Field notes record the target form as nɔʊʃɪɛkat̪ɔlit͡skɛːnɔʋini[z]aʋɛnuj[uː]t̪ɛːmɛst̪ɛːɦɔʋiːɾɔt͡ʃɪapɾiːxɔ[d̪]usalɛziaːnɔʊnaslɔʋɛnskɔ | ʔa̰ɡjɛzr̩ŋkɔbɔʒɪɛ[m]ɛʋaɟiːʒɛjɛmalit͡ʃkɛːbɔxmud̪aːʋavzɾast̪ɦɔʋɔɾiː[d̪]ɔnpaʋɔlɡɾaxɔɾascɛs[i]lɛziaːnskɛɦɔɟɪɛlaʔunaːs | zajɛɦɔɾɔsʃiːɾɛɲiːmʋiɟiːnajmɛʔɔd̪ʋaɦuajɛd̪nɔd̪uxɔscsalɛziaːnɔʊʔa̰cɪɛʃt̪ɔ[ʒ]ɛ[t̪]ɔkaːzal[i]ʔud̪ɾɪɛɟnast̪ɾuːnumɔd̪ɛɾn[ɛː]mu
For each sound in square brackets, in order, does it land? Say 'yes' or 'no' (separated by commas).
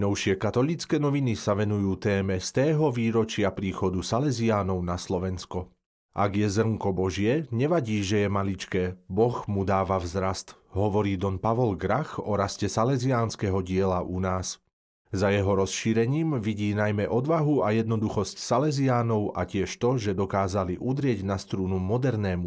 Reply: no, yes, yes, no, yes, no, yes, no, yes, yes